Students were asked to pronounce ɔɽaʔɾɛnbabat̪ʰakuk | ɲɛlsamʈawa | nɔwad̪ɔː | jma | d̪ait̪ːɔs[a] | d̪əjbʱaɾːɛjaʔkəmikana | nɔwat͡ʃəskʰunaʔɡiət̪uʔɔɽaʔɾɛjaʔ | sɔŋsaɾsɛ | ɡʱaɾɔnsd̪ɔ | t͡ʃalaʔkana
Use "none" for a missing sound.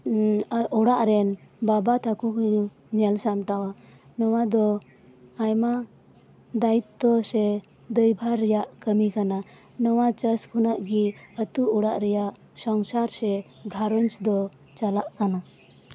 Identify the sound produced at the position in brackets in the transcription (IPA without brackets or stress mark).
ɛ